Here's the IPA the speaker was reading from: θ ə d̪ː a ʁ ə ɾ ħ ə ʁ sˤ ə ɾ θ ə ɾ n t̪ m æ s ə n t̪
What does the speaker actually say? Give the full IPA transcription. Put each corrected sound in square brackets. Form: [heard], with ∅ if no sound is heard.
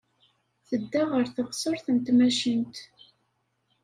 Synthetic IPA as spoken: θ ə d̪ː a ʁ ə ɾ [θ] ə ʁ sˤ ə ɾ θ ə [∅] n t̪ m æ [ʃ] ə n t̪